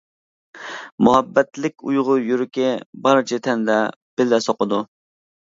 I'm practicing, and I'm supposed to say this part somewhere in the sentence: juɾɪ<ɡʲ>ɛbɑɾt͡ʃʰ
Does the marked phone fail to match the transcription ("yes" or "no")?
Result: yes